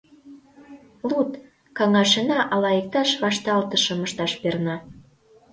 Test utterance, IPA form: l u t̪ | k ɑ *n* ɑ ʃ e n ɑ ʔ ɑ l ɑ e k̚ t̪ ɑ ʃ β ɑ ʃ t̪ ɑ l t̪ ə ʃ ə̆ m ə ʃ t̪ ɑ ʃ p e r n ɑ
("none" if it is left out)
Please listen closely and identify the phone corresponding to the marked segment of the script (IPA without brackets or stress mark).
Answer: ŋ